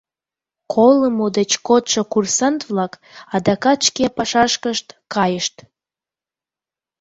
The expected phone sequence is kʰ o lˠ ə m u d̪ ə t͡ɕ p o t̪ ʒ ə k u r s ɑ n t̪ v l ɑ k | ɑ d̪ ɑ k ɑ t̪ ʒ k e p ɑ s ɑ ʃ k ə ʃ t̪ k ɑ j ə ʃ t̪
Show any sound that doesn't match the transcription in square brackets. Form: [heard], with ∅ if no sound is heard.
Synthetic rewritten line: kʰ o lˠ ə m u d̪ ə t͡ɕ [k] o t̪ [ʃ] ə k u r s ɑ n t̪ v l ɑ k | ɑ d̪ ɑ k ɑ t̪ [ʃ] k e p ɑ [ʃ] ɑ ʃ k ə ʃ t̪ k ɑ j ə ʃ t̪

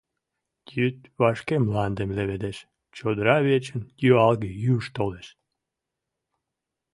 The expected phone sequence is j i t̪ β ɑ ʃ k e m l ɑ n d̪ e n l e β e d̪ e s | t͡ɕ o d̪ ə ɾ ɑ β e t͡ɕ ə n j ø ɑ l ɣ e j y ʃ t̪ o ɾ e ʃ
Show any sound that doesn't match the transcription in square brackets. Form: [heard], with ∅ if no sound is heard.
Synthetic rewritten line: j [y] t̪ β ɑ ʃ k e m l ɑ n d̪ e [m] l e β e d̪ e [ʃ] | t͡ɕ o d̪ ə ɾ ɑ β e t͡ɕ ə n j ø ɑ l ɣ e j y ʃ t̪ o [l] e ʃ

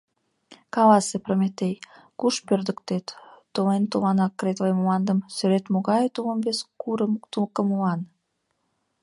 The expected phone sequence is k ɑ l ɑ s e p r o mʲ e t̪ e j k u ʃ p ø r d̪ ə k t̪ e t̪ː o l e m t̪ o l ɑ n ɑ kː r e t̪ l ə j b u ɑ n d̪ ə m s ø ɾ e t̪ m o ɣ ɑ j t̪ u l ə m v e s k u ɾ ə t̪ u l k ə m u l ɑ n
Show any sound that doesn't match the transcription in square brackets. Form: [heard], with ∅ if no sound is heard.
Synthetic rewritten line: k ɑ l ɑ s e p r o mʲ e t̪ e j k u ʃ p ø r d̪ ə k t̪ e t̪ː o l e [n] t̪ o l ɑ n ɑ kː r e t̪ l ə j [m] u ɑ n d̪ ə m s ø ɾ e t̪ m o ɣ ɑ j t̪ u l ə m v e s k u ɾ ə t̪ u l k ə m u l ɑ n

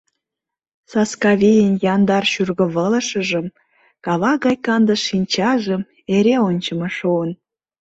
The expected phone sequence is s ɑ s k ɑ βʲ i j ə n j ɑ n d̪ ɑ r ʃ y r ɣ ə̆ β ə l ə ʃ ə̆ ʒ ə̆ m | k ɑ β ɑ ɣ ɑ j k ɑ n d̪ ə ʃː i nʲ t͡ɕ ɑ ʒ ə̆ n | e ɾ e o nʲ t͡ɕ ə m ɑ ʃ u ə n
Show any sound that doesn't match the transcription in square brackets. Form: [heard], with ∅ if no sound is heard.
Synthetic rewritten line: s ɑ s k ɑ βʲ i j ə n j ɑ n d̪ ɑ r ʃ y r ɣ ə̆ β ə l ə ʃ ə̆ ʒ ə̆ m | k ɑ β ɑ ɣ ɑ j k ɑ n d̪ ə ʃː i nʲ t͡ɕ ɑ ʒ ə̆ [m] | e ɾ e o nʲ t͡ɕ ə m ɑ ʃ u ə n

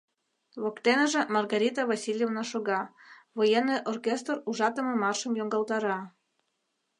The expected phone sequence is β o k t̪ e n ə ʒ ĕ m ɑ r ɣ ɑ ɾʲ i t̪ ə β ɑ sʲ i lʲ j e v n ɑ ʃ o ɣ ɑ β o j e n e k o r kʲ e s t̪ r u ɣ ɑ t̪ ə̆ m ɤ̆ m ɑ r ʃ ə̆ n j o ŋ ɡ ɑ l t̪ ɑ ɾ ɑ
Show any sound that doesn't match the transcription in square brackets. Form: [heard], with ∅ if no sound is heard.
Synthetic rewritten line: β o k t̪ e n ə ʒ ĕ m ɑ r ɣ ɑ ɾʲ i t̪ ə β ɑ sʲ i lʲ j e v n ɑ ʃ o ɣ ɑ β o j e n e [ʔ] o r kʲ e s t̪ r u [ʒ] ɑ t̪ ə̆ m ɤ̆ m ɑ r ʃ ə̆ [m] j o ŋ ɡ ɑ l t̪ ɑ ɾ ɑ

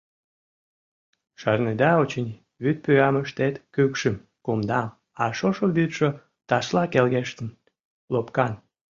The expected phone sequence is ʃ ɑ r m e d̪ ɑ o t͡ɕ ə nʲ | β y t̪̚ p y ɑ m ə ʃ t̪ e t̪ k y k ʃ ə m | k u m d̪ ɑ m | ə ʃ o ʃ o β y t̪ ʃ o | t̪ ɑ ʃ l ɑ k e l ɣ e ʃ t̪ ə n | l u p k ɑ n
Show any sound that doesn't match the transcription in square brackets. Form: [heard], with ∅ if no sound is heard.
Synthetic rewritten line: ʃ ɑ r [n] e d̪ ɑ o t͡ɕ ə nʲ | β y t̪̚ p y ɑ m ə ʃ t̪ e t̪ k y k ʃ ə m | k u m d̪ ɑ m | [ɑ] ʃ o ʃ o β y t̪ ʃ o | t̪ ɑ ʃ l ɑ k e l ɣ e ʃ t̪ ə n | l [o] p k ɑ n

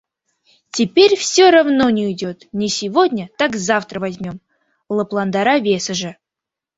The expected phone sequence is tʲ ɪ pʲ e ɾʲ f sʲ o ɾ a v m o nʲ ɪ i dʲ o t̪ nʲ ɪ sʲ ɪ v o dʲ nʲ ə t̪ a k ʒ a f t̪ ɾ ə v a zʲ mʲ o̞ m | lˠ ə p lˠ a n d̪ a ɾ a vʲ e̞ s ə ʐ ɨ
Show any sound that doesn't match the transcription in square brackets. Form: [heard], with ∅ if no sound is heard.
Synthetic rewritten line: tʲ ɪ pʲ e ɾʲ f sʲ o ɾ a v [n] o nʲ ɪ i dʲ o t̪ nʲ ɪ sʲ ɪ v o dʲ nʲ ə t̪ a k [z] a f t̪ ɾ ə v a zʲ mʲ o̞ m | lˠ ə p lˠ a n d̪ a ɾ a vʲ e̞ s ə ʐ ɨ

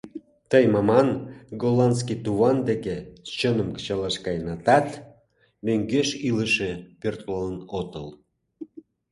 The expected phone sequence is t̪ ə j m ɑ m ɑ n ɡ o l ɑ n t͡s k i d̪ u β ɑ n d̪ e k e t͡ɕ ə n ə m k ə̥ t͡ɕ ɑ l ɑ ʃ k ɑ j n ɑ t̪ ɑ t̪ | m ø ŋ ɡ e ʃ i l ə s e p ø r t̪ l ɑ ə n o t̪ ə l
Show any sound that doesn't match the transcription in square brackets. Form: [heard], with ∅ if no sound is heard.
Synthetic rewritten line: t̪ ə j m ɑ m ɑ n ɡ o l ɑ n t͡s k i [t̪] u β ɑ n d̪ e k e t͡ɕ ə n ə m k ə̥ t͡ɕ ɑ l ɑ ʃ k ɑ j n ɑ t̪ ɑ t̪ | m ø ŋ ɡ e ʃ i l ə [ʃ] e p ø r t̪ l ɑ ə n o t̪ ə l

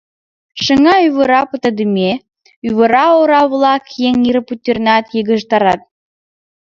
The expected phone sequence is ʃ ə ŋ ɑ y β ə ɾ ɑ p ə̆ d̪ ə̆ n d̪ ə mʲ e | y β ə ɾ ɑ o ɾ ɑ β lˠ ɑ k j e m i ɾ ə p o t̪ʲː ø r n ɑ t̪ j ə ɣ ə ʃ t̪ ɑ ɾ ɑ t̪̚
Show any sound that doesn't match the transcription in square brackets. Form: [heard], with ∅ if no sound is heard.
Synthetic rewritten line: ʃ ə ŋ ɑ y β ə ɾ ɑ p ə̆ [t̪] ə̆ [∅] d̪ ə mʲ e | y β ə ɾ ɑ o ɾ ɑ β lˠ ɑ k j e [ŋ] i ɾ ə p [u] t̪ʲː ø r n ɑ t̪ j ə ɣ ə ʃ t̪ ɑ ɾ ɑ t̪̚

